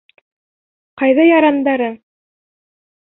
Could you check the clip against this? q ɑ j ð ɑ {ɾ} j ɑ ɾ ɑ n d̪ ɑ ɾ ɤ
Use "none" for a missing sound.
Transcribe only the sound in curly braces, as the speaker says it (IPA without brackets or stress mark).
none